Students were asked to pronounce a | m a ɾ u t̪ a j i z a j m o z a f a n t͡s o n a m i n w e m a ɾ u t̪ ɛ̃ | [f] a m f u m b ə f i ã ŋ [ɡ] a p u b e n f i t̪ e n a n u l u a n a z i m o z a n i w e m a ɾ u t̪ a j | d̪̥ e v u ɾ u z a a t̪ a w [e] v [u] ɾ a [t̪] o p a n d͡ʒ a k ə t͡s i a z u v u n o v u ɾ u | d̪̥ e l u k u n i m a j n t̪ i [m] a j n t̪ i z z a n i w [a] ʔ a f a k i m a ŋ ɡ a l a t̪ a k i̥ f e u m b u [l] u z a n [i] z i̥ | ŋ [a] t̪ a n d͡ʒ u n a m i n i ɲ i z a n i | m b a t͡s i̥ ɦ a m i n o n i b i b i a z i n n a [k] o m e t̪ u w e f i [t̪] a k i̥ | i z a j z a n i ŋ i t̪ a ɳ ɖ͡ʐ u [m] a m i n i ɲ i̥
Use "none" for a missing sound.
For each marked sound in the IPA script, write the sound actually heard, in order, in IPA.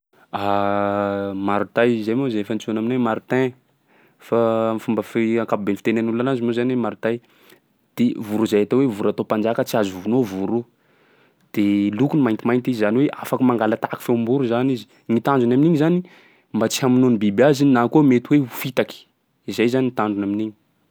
f, k, e, u, t̪, m, e, ɾ, i, i, k, t̪, n

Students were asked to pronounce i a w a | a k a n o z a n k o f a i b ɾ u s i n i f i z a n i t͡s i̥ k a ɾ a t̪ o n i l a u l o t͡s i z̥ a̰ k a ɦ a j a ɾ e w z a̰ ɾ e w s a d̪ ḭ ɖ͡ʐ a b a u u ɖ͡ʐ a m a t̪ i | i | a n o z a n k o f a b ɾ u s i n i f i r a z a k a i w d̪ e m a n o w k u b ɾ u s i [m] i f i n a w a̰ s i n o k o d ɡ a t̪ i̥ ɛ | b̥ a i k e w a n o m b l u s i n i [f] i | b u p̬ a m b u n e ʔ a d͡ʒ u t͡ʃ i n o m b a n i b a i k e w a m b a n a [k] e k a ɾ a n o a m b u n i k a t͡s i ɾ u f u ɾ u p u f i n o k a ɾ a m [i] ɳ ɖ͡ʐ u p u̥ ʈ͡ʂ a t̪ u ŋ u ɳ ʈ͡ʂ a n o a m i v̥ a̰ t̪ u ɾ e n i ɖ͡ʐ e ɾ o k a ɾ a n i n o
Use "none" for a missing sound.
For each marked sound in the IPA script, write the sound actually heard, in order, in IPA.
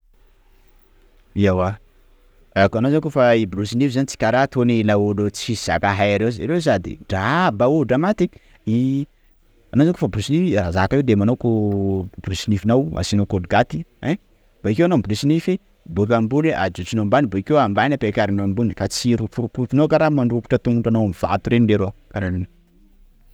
n, f, p, a

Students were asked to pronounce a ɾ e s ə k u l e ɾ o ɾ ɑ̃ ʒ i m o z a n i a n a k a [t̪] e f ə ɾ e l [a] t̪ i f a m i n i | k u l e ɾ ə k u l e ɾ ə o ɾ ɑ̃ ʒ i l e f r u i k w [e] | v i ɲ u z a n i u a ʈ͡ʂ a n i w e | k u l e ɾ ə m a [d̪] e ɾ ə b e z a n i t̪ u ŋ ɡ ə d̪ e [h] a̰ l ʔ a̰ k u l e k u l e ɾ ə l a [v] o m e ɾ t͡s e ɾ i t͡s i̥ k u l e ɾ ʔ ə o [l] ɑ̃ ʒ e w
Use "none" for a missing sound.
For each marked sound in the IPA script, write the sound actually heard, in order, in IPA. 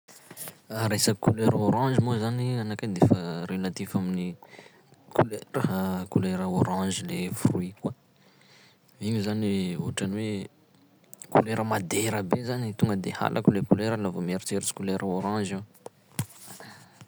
d̪, a, a, d̪, h, v, ɾ

